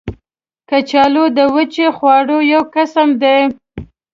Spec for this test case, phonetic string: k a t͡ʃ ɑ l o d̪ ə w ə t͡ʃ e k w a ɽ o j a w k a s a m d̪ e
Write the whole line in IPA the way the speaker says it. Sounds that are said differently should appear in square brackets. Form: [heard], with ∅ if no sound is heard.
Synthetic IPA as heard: k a t͡ʃ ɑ l o d̪ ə w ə t͡ʃ e [x] w [ɑ] ɽ o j a w k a s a m d̪ e